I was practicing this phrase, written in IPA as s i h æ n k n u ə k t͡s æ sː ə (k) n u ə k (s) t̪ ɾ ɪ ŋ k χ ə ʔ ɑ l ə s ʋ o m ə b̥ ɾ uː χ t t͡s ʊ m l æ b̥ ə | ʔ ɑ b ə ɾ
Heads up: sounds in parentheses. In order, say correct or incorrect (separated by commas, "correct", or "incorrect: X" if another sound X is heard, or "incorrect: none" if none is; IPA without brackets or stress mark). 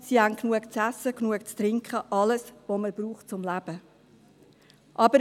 correct, incorrect: t͡s